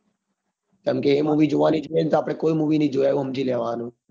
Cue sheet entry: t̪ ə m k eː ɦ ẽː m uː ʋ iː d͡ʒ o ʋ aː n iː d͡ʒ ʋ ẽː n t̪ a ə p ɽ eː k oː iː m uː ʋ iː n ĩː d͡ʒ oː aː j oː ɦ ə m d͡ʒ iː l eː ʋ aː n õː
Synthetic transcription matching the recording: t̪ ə m k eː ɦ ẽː m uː ʋ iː d͡ʒ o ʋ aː n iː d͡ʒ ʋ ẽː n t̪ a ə p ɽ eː k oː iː m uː ʋ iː n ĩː d͡ʒ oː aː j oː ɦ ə m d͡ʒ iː l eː ʋ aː n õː